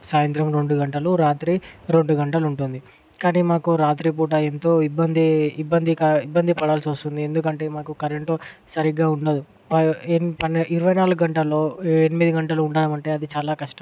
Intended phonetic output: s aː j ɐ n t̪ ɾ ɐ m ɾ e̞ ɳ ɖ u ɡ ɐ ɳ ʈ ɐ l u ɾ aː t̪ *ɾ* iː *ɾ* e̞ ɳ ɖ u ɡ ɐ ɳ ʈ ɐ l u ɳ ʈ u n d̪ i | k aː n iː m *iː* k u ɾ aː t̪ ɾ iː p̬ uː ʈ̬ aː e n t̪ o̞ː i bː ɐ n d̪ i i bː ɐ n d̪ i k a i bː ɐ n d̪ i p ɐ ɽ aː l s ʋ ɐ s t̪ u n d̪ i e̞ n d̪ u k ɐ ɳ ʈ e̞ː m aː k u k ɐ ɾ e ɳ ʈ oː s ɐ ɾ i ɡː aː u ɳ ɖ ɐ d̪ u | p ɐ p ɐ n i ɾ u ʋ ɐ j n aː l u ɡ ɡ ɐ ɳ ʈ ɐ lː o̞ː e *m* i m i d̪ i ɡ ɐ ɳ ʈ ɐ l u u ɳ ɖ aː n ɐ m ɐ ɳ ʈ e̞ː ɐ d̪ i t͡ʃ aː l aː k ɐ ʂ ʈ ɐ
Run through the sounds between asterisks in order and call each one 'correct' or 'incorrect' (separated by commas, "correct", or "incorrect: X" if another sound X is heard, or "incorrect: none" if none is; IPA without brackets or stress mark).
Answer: correct, correct, incorrect: aː, incorrect: n